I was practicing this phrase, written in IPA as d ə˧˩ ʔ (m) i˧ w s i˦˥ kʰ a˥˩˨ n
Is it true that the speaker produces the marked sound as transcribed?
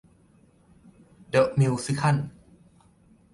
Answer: yes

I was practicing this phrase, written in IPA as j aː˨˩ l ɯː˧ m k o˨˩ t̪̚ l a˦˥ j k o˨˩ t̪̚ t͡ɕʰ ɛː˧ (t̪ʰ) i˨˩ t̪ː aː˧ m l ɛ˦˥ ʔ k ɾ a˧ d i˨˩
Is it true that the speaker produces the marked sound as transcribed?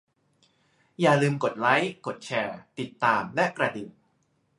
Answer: no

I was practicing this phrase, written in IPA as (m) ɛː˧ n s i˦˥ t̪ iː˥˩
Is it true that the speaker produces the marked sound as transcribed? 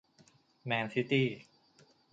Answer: yes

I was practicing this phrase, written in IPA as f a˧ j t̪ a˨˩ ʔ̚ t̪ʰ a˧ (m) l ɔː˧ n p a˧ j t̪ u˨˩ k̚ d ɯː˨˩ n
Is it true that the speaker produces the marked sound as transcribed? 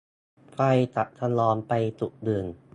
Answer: no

